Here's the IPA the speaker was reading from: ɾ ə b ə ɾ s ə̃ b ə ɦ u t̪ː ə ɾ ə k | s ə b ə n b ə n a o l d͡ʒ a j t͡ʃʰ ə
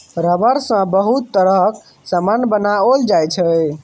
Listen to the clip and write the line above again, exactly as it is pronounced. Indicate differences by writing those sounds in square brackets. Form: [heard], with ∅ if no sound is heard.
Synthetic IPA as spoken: ɾ ə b ə ɾ s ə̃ b ə ɦ u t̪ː ə ɾ ə k | s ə [m] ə n b ə n a o l d͡ʒ a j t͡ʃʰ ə